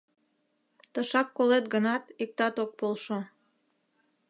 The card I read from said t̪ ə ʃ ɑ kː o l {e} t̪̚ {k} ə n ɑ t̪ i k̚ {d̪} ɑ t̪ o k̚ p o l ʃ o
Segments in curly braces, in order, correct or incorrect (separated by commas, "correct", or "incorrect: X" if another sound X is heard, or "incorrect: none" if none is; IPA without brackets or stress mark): correct, incorrect: ɡ, incorrect: t̪